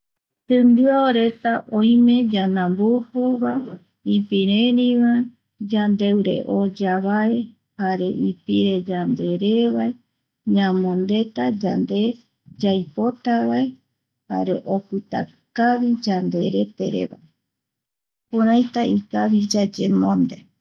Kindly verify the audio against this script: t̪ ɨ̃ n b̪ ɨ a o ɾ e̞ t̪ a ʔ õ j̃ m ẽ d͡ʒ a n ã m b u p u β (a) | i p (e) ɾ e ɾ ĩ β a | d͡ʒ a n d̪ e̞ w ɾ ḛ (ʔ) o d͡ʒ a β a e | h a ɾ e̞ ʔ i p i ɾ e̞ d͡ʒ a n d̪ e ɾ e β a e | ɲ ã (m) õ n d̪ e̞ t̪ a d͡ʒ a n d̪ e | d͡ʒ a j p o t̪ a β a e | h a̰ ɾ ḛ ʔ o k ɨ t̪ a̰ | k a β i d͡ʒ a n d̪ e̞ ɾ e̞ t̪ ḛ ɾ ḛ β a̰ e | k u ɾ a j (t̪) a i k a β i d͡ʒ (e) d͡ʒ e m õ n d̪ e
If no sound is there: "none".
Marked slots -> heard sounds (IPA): a, i, ʔ, m, t̪, a

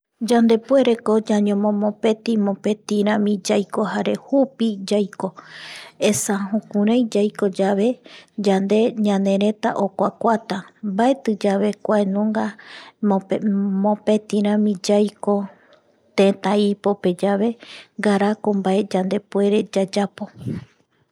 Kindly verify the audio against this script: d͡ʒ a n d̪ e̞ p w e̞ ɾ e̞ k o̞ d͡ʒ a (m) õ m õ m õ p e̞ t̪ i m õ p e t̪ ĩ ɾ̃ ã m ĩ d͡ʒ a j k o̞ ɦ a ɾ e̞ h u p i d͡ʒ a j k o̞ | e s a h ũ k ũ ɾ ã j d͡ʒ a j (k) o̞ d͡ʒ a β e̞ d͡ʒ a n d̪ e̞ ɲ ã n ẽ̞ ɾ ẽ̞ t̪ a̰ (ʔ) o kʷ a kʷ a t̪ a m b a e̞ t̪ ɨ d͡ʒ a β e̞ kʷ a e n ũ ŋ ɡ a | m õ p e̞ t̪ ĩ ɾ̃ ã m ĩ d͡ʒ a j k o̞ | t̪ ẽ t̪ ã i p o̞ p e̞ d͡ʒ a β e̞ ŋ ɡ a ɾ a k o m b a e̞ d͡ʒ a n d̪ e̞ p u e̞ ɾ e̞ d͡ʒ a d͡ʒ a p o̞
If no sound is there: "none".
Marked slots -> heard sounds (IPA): ɲ, k, ʔ

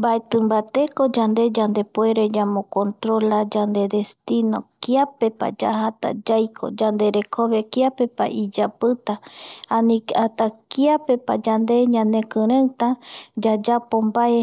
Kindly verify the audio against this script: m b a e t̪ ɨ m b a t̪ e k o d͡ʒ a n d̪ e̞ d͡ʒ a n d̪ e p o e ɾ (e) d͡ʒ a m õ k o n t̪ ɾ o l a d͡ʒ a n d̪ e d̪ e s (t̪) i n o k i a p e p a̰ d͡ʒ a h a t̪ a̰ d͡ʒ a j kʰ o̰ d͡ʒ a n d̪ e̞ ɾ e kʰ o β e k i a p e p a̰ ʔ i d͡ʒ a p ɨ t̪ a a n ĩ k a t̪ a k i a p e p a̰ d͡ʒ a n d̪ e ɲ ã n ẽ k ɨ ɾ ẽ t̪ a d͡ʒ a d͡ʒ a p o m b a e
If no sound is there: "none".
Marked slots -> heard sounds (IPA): e, t̪

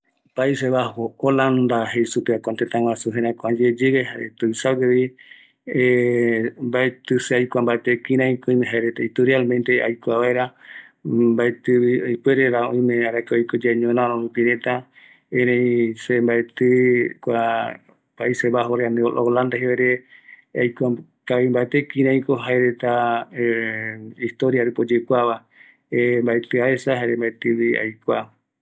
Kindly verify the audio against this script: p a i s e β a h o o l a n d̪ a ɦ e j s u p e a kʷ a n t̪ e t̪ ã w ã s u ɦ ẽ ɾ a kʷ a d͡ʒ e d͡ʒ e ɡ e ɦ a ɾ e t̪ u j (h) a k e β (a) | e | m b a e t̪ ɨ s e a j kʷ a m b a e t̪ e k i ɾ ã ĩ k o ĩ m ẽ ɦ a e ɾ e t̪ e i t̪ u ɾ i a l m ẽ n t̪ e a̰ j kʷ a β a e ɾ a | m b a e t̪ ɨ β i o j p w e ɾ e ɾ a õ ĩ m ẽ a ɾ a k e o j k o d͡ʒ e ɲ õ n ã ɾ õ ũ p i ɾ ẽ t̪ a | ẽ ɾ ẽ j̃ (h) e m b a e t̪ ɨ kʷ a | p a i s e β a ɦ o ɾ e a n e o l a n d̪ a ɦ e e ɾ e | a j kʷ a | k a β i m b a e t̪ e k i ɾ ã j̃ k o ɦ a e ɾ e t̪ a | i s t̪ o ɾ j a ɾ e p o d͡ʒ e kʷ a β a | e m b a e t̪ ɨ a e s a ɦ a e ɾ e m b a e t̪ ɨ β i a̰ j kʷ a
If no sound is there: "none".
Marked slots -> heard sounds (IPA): s, i, s

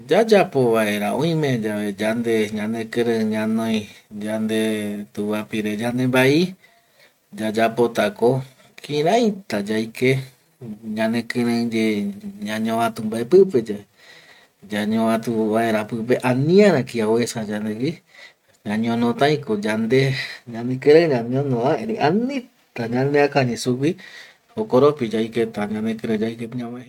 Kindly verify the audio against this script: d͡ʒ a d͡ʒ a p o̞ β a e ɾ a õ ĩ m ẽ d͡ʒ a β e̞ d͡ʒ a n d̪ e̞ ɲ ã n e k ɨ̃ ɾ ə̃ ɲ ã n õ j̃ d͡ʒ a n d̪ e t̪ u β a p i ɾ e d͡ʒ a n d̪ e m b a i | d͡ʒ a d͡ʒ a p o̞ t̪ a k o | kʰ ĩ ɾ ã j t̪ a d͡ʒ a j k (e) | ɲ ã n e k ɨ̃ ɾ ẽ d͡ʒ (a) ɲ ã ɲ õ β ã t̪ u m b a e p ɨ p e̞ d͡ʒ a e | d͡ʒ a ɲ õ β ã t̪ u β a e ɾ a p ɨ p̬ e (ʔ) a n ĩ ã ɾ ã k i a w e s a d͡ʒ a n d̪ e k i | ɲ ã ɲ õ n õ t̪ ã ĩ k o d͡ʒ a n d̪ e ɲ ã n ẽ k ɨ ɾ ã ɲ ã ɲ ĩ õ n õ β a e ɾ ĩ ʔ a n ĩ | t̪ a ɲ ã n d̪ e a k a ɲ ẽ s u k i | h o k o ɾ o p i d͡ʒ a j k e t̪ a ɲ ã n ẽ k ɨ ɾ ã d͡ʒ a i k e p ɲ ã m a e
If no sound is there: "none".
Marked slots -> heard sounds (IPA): e, e, ʔ

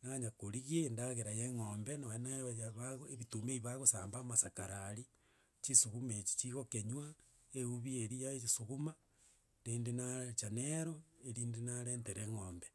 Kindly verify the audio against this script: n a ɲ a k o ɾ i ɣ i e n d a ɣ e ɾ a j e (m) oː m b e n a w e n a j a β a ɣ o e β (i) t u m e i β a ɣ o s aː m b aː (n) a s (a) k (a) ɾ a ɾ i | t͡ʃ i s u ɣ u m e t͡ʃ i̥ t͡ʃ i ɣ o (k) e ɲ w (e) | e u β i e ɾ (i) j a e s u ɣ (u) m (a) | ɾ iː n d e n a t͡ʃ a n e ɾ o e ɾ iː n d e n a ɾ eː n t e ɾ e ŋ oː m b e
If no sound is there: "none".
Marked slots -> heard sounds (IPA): ŋ, i, m, a, a, k, a, i, u, a

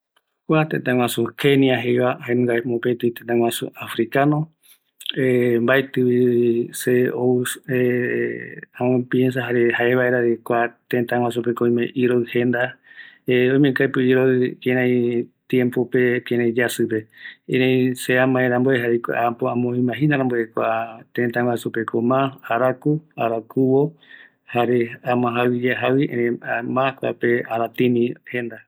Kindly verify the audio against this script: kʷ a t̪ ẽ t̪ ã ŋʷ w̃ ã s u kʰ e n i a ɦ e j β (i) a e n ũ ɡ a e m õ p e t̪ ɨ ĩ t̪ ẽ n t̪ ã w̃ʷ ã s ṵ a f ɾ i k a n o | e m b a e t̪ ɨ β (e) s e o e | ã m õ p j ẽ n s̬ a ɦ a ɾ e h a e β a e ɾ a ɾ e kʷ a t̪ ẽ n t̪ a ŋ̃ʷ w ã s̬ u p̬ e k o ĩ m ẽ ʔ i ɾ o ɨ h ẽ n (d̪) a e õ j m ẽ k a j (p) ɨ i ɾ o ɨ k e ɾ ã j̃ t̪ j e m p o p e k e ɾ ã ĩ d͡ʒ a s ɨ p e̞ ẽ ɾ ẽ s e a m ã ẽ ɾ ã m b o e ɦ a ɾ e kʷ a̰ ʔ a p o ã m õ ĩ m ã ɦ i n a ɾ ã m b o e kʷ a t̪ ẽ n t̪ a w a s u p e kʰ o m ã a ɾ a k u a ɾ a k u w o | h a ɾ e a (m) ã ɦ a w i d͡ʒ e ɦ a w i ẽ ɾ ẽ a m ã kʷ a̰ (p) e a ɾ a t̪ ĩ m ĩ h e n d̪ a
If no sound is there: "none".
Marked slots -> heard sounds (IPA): a, i, d̪, p, m, p

